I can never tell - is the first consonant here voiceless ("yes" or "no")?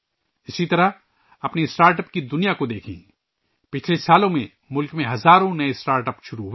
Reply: yes